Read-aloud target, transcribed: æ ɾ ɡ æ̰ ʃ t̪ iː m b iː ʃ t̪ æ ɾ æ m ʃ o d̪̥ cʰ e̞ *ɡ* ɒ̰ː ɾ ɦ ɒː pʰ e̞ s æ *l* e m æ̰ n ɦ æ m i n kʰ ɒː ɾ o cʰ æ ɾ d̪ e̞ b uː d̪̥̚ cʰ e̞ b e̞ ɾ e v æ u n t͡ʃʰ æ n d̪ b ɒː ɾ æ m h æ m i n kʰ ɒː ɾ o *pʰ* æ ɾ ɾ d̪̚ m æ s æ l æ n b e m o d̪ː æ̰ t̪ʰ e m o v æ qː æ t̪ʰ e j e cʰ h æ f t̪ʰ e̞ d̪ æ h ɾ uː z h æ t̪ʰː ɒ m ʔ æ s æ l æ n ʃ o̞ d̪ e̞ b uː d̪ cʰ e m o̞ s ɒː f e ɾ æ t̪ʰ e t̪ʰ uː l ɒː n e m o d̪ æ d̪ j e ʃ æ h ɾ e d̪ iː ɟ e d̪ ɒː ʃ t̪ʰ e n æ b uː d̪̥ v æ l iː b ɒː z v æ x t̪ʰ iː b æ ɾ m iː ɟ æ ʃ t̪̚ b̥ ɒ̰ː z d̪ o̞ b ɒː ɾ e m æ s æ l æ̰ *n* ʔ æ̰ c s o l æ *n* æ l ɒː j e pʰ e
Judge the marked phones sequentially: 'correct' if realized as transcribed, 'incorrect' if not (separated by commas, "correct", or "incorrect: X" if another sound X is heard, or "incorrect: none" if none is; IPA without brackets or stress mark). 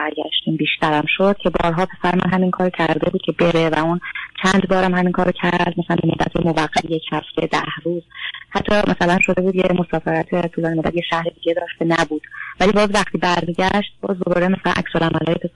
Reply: incorrect: b, incorrect: ɾ, incorrect: cʰ, correct, incorrect: m